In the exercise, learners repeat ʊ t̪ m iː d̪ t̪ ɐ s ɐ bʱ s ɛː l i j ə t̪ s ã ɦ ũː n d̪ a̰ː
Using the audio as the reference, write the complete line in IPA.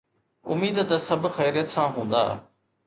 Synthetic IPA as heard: ʊ m iː d̪ t̪ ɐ s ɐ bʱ x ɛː ɾ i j ə t̪ s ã ɦ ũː n d̪ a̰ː